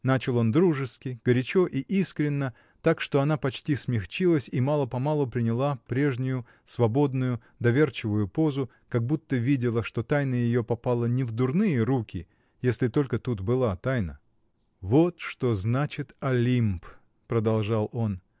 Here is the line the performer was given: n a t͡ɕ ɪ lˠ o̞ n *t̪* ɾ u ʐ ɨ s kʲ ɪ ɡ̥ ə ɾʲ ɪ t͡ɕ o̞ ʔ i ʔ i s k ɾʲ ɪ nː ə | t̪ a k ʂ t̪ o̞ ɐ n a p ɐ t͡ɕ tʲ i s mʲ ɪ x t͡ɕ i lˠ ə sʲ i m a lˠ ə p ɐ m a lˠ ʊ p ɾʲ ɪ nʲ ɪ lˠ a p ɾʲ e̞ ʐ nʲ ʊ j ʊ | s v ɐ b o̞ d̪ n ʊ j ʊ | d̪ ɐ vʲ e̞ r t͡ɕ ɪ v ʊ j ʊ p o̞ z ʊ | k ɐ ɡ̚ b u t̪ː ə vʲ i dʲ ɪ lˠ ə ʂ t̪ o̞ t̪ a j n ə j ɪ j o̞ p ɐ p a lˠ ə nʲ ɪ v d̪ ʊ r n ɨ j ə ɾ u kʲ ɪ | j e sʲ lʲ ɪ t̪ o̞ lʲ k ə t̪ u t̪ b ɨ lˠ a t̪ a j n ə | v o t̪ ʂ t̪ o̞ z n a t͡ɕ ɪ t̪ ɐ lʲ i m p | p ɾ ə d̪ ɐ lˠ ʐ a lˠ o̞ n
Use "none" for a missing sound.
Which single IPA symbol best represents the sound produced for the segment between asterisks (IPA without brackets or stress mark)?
d̪